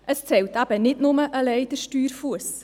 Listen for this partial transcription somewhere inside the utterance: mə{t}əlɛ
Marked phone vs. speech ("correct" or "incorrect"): incorrect